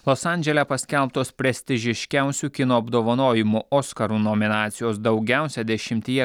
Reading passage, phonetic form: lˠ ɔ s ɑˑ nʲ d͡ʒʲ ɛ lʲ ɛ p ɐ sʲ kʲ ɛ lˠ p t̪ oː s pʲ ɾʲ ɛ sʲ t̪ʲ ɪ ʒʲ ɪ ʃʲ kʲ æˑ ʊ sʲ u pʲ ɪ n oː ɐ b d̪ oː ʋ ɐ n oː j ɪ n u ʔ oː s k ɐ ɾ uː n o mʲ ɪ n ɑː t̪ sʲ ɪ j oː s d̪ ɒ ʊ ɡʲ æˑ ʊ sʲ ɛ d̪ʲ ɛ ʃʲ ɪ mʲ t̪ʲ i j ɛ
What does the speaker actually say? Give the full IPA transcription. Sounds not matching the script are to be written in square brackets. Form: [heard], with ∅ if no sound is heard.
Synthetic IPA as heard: lˠ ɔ s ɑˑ nʲ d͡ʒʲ ɛ lʲ ɛ p ɐ sʲ kʲ ɛ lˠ p t̪ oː s pʲ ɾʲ ɛ sʲ t̪ʲ ɪ ʒʲ ɪ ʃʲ kʲ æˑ ʊ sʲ u [kʲ] ɪ n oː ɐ b d̪ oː ʋ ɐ n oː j ɪ [m] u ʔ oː s k ɐ ɾ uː n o mʲ ɪ n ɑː t̪ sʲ ɪ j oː s d̪ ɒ ʊ ɡʲ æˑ ʊ sʲ ɛ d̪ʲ ɛ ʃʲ ɪ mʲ t̪ʲ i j ɛ